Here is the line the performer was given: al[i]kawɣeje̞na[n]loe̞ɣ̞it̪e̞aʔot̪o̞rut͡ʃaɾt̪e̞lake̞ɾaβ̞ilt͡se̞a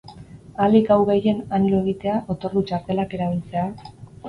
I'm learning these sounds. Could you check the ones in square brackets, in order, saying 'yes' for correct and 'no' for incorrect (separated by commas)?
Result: yes, yes